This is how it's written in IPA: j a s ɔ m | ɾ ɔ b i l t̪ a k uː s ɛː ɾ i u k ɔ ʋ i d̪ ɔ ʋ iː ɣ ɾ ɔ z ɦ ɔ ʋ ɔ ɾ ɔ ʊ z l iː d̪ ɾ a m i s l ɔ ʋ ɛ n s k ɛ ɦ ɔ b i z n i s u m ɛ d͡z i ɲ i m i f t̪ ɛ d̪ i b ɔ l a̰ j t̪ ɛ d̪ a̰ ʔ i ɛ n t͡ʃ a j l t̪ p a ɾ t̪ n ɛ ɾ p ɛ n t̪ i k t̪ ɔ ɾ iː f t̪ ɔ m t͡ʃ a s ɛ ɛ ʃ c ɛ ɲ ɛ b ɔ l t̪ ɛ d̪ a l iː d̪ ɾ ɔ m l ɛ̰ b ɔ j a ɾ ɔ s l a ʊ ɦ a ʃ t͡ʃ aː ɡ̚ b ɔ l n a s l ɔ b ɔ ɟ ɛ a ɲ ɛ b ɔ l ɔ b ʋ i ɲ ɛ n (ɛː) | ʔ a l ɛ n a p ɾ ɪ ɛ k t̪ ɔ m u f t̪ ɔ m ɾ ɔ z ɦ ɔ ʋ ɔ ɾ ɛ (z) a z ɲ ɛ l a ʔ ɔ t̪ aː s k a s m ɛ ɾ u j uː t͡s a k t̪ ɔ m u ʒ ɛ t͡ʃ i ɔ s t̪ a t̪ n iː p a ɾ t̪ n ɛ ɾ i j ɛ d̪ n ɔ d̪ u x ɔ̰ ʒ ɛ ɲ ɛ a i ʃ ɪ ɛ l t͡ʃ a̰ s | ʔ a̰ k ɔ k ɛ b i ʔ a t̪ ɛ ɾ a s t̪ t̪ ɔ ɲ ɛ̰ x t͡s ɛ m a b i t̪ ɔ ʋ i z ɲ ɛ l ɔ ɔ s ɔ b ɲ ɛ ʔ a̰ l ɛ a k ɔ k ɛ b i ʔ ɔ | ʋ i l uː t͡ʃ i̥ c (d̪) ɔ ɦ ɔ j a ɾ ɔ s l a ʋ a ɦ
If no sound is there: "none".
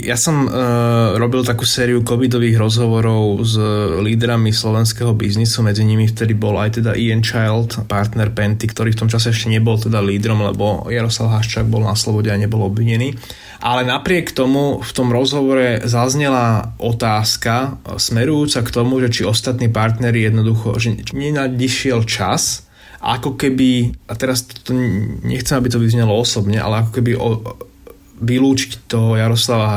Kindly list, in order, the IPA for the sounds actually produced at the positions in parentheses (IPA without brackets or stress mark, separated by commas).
iː, z, t̪